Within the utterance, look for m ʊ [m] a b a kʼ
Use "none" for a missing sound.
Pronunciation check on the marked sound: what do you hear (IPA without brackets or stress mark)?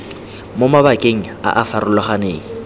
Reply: m